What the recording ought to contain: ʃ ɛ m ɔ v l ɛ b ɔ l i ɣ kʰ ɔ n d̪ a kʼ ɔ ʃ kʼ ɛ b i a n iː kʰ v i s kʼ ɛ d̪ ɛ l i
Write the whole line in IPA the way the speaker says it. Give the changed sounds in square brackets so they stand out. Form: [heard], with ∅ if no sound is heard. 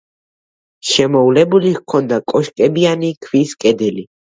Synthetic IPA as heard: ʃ ɛ m ɔ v l ɛ b [u] l i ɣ kʰ ɔ n d̪ a kʼ ɔ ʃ kʼ ɛ b i a n [i] kʰ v i s kʼ ɛ d̪ ɛ l i